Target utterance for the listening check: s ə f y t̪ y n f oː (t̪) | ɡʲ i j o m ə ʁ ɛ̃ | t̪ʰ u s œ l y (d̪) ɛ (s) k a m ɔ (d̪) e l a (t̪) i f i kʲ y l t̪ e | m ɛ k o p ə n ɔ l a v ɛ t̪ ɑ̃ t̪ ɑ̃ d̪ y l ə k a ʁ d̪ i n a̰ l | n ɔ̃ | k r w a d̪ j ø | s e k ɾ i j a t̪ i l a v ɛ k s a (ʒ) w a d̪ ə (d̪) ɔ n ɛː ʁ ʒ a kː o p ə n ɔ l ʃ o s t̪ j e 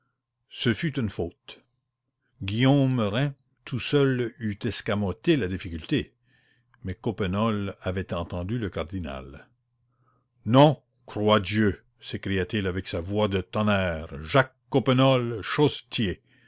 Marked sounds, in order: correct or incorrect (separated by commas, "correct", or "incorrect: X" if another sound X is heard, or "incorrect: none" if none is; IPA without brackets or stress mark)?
correct, incorrect: t̪, correct, incorrect: t̪, incorrect: d̪, incorrect: v, incorrect: t̪